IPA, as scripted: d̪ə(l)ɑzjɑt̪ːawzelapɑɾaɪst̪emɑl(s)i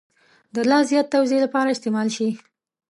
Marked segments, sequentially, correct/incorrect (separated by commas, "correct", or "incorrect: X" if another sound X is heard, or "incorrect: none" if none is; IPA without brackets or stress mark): correct, incorrect: ʃ